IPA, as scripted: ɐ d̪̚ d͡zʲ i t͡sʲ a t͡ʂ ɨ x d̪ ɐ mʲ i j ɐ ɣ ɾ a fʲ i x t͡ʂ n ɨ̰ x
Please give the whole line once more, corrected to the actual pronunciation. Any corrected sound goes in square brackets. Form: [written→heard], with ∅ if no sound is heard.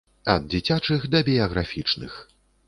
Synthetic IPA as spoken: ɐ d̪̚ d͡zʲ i t͡sʲ a t͡ʂ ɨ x d̪ ɐ [mʲ→bʲ] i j ɐ ɣ ɾ a fʲ i [x→∅] t͡ʂ n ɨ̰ x